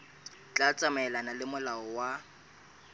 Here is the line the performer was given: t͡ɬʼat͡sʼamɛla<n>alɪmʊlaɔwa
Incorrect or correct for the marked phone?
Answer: correct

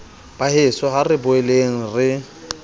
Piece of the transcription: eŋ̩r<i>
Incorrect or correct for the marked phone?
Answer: incorrect: ɪ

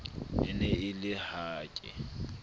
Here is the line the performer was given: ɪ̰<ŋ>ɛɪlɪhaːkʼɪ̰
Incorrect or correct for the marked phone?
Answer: incorrect: n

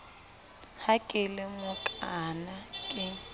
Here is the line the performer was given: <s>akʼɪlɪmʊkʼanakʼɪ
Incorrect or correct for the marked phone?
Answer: incorrect: h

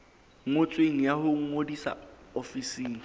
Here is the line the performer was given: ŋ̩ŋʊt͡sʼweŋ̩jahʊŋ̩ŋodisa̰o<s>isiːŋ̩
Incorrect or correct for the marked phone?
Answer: incorrect: f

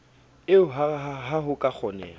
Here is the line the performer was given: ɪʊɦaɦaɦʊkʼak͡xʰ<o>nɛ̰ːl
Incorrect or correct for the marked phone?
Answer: incorrect: ɔ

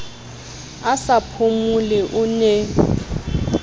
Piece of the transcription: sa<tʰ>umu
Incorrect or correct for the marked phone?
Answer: incorrect: pʰ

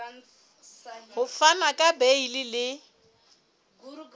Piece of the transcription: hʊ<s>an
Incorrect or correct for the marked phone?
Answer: incorrect: f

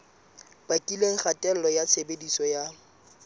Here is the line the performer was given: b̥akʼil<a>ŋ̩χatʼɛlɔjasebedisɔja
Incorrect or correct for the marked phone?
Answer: incorrect: e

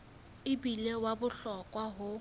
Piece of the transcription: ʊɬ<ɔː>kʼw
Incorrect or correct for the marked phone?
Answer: incorrect: ɔ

